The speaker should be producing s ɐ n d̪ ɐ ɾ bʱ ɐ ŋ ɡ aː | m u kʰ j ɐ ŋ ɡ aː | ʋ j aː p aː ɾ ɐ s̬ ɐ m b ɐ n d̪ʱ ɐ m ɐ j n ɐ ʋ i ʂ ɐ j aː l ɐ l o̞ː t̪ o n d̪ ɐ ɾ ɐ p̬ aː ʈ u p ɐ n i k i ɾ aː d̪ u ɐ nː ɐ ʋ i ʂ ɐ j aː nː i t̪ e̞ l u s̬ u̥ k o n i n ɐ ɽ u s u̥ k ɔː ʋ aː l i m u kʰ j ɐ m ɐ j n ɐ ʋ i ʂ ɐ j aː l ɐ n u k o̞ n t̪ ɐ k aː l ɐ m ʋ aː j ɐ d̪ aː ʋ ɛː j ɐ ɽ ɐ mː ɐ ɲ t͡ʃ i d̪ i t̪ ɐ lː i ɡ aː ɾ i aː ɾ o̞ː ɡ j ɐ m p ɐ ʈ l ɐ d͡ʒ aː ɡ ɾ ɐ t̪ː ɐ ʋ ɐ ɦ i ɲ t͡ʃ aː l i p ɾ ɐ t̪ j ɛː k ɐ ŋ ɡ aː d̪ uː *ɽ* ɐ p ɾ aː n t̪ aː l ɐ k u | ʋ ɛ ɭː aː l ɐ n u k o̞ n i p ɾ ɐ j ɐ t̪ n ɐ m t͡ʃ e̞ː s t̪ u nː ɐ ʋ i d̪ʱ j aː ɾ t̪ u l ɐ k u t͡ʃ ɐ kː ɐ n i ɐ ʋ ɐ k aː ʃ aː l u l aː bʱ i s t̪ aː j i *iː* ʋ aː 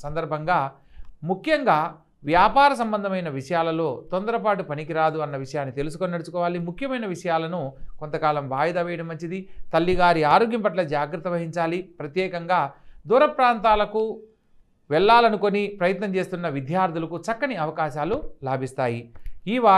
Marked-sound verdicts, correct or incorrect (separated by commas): incorrect, correct